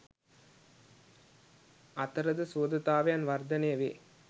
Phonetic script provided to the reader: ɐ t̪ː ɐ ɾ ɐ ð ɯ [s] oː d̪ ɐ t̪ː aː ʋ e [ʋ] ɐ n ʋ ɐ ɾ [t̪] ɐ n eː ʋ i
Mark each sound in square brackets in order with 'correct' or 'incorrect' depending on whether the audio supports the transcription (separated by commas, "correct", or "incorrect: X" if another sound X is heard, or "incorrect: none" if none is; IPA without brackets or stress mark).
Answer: correct, incorrect: none, incorrect: d̪